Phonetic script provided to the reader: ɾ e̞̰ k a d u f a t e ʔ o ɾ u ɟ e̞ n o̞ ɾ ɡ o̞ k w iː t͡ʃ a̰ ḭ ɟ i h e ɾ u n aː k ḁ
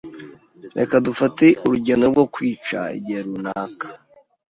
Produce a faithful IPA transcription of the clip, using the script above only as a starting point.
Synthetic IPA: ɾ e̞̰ k a d u f a t e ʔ u ɾ u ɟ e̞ n o̞ ɾ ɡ o̞ k w iː t͡ʃ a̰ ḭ ɟ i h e ɾ u n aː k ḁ